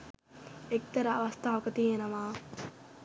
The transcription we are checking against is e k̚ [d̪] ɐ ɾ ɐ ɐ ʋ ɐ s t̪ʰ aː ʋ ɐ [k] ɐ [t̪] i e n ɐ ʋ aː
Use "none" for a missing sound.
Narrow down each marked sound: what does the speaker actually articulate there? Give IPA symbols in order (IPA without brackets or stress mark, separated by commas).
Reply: t̪, k, t̪